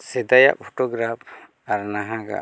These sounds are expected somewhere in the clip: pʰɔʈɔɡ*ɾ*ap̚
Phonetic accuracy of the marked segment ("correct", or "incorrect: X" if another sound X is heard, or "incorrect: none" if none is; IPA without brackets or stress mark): correct